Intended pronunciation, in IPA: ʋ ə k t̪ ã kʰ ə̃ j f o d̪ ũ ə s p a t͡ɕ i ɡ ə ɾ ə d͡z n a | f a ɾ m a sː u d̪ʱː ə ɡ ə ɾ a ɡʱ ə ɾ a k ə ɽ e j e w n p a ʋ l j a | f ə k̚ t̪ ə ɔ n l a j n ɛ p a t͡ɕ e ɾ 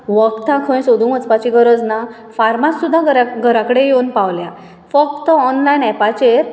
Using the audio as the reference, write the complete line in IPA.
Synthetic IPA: ʋ ə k t̪ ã kʰ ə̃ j s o d̪ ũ ə t͡s p a t͡ɕ i ɡ ə ɾ ə d͡z n a | f a ɾ m a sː u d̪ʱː a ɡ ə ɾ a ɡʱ ə ɾ a k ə ɽ e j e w n p a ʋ l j a | f ə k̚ t̪ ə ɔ n l a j n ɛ p a t͡ɕ e ɾ

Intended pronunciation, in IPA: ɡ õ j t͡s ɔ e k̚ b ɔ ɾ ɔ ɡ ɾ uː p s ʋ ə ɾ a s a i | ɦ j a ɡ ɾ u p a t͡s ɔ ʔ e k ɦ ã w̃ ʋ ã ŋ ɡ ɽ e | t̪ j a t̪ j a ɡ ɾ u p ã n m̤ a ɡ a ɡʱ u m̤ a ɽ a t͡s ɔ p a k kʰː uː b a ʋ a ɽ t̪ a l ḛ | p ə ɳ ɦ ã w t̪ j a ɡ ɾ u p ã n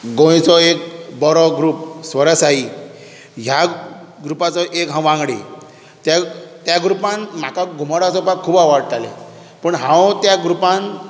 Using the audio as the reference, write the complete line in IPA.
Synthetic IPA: ɡ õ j t͡s ɔ e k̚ b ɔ ɾ ɔ ɡ ɾ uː p s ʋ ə ɾ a s a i | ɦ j a ɡ ɾ u p a t͡s ɔ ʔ e k ɦ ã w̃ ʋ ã ŋ ɡ ɽ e | t̪ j a t̪ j a ɡ ɾ u p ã n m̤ a k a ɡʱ u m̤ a ɽ a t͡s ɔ p a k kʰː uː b a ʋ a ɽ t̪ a l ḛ | p ə ɳ ɦ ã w t̪ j a ɡ ɾ u p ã n

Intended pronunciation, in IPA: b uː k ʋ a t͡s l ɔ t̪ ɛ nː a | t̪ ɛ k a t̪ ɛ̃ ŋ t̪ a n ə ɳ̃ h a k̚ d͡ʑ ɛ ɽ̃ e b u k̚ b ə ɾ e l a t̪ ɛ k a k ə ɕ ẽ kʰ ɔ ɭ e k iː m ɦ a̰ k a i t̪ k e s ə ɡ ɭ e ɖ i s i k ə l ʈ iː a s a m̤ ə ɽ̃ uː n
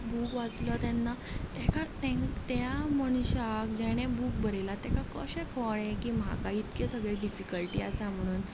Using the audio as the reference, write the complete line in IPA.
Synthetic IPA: b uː k ʋ a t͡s l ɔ t̪ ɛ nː a | t̪ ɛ k a t̪ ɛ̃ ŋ t̪ a m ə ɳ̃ ɕ a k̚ d͡ʑ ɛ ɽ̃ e b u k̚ b ə ɾ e l a t̪ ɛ k a k ə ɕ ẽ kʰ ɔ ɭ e k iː m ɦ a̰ k a i t̪ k e s ə ɡ ɭ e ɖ i f i k ə l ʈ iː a s a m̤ ə ɽ̃ uː n

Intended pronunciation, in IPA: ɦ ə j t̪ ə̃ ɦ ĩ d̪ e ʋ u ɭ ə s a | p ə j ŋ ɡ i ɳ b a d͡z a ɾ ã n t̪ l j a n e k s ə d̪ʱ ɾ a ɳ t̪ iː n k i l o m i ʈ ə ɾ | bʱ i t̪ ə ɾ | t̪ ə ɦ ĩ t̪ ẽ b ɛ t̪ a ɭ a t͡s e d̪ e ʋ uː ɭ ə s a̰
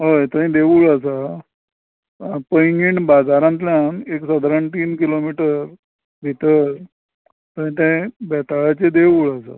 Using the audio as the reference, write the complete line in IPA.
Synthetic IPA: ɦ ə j t̪ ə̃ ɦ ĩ d̪ e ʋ u ɭ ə s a | p ə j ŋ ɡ i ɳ b a d͡z a ɾ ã n t̪ l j a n e k s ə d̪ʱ ɾ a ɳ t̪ iː n k i l o m i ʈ ə ɾ | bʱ i t̪ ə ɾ | t̪ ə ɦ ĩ t̪ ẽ b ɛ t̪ a ɭ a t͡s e d̪ e ʋ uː ɭ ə s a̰

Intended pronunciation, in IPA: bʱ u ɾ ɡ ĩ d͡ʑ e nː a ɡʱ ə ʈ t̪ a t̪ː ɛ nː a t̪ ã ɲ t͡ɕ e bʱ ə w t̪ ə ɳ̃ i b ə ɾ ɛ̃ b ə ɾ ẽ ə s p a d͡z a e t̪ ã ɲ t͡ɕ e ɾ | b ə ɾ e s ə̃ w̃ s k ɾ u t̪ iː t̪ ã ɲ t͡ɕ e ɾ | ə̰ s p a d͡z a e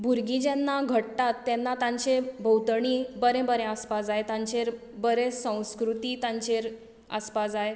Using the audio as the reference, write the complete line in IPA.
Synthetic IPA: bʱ u ɾ ɡ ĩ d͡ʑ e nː a ɡʱ ə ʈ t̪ a t̪ː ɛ nː a t̪ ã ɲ t͡ɕ e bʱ ə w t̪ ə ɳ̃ i b ə ɾ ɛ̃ b ə ɾ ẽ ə s p a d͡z a e t̪ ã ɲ t͡ɕ e ɾ | b ə ɾ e s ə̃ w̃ s k ɾ u t̪ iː t̪ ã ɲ t͡ɕ e ɾ | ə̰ s p a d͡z a e

